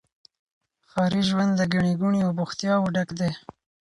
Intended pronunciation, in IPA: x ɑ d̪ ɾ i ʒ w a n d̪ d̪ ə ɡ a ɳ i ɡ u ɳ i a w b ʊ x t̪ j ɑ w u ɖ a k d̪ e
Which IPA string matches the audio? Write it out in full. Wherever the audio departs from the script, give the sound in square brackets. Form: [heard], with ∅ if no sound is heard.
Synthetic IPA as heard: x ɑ [∅] ɾ i ʒ w a n d̪ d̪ ə ɡ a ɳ i ɡ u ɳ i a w b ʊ x t̪ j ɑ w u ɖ a k d̪ e